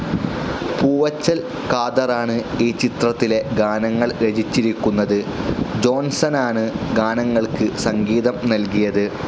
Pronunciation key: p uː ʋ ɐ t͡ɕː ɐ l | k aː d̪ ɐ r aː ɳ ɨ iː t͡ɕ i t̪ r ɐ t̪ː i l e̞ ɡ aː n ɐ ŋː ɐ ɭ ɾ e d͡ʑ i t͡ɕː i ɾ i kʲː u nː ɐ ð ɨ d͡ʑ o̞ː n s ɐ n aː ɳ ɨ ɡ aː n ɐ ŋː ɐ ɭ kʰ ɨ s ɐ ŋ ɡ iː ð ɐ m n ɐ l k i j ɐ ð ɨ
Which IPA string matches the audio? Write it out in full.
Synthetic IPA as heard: p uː ʋ ɐ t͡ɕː ɐ l | k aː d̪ ɐ r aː ɳ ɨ iː t͡ɕ i t̪ r ɐ t̪ː i l e̞ ɡ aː n ɐ ŋː ɐ ɭ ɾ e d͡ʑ i t͡ɕː i ɾ i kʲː u nː ɐ ð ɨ d͡ʑ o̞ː n s ɐ n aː ɳ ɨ ɡ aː n ɐ ŋː ɐ ɭ k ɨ s ɐ ŋ ɡ iː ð ɐ m n ɐ l k i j ɐ ð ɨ